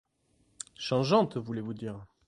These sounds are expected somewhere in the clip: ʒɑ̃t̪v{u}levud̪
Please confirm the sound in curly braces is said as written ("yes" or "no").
yes